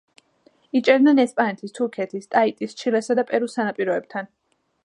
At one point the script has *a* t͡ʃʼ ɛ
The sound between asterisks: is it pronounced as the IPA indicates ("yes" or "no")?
no